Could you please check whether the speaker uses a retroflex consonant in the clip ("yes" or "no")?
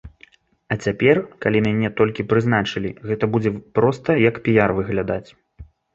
yes